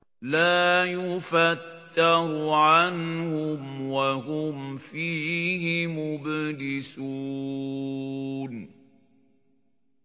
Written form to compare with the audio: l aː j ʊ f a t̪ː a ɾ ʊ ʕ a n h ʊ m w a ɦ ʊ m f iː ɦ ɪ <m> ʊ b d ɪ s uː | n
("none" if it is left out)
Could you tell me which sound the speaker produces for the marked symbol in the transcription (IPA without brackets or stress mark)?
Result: m